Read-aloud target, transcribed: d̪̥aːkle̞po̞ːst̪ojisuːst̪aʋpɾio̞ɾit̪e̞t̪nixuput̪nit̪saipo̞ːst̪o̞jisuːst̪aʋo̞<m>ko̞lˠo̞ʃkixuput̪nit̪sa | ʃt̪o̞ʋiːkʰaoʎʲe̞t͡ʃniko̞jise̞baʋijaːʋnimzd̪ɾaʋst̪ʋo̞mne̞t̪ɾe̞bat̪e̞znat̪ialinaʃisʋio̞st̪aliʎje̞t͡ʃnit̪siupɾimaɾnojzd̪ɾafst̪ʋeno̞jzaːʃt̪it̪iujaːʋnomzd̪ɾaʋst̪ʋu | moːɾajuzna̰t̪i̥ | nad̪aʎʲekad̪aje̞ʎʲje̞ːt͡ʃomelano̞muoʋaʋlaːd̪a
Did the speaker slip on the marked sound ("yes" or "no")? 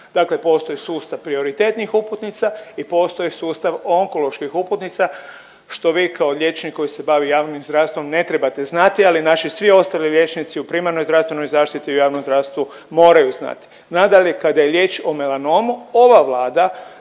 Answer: yes